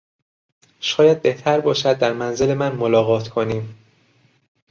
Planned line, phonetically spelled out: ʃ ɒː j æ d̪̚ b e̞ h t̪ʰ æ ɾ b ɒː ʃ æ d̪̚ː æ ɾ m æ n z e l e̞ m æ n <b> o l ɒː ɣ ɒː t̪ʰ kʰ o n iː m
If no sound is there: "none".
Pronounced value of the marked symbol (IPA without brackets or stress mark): m